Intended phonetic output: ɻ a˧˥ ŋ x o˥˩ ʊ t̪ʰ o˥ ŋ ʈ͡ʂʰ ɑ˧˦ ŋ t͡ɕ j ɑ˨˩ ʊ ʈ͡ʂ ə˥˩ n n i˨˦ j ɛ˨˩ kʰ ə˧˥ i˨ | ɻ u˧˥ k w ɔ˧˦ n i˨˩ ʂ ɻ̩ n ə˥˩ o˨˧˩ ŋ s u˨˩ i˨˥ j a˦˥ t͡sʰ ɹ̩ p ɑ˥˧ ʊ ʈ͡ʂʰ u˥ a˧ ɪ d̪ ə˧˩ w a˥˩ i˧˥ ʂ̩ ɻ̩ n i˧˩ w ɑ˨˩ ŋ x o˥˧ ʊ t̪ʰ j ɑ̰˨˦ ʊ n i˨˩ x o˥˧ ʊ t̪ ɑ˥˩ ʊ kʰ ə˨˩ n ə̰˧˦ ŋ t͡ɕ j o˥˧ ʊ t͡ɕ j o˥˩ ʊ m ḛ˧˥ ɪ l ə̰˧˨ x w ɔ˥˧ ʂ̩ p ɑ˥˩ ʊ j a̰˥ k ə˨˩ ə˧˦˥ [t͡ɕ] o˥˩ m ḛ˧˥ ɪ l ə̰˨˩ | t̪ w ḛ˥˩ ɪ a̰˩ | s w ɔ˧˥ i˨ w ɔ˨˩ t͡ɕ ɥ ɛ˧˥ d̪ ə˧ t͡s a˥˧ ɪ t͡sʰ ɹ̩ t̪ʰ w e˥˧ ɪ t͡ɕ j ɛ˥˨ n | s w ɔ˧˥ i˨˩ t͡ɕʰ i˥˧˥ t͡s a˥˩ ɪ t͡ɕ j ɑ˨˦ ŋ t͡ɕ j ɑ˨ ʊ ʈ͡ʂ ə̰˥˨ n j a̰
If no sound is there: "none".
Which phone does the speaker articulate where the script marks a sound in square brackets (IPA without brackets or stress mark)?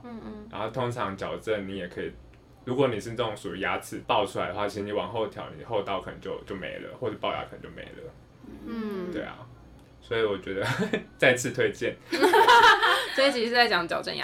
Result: t͡ɕ